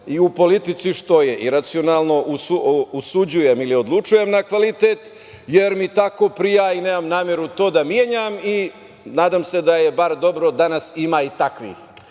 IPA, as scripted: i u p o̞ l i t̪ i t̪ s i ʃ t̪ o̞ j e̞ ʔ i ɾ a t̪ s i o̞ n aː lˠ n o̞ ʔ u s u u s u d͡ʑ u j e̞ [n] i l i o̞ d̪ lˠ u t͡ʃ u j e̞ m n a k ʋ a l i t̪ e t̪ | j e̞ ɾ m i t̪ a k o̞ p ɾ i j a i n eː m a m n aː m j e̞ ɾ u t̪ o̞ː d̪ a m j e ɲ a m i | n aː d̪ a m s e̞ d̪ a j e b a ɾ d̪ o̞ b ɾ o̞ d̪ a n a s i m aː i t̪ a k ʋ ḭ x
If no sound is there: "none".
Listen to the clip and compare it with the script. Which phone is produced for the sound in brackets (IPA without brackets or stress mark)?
m